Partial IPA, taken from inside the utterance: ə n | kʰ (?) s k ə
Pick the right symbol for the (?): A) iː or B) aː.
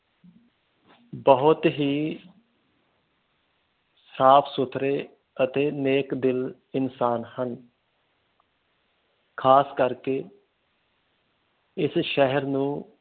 B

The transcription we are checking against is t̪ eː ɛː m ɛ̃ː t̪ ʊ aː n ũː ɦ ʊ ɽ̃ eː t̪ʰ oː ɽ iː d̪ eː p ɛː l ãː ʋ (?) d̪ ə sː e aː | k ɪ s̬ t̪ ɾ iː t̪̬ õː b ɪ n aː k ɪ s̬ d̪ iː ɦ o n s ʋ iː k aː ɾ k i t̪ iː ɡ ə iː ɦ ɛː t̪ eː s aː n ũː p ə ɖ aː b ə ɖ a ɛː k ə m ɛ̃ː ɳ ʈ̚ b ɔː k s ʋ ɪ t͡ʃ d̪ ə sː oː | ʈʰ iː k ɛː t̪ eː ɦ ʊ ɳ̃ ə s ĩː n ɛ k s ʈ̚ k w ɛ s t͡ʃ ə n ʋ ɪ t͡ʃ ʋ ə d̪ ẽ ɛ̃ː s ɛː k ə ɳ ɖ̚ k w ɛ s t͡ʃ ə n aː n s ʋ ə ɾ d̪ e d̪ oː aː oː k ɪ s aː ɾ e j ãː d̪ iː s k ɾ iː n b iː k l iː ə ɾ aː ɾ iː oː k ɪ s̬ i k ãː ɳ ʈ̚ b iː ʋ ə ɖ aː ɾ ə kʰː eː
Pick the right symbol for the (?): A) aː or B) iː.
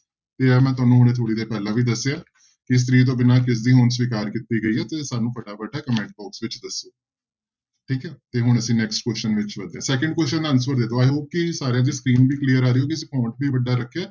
B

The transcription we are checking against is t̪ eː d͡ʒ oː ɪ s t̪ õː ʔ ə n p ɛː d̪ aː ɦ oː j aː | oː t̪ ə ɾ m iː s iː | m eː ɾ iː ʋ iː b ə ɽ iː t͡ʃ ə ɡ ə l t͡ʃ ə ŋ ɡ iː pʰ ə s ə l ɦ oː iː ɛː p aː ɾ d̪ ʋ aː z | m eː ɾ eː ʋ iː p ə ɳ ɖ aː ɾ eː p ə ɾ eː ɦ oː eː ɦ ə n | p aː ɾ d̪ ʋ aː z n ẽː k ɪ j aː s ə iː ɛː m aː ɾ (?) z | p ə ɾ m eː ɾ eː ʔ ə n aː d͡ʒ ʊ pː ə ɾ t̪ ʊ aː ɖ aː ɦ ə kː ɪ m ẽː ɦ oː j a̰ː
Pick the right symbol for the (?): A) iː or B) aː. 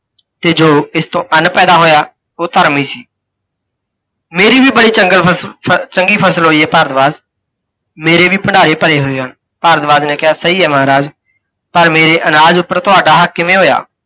B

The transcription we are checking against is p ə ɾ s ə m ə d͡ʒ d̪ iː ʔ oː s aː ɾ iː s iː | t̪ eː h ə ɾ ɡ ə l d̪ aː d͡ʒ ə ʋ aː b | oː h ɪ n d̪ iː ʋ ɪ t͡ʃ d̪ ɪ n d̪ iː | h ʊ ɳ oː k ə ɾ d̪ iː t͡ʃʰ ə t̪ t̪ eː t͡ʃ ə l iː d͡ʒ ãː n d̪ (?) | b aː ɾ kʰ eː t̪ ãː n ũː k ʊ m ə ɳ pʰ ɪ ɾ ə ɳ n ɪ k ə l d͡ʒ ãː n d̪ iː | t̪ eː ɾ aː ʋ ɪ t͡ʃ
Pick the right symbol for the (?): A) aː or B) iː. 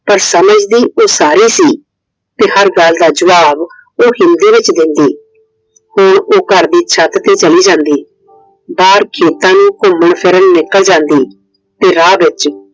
B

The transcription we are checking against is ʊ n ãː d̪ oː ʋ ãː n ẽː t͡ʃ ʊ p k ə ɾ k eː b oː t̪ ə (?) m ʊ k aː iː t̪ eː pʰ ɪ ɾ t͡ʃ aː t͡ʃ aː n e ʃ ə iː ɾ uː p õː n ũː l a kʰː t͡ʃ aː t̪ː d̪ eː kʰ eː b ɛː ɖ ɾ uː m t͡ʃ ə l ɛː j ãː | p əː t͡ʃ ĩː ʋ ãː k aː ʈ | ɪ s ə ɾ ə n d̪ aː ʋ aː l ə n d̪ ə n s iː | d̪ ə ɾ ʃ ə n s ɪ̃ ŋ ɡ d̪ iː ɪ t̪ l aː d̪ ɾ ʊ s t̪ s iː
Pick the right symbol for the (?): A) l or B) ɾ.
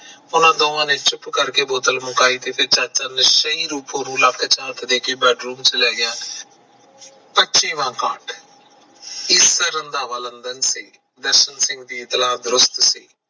A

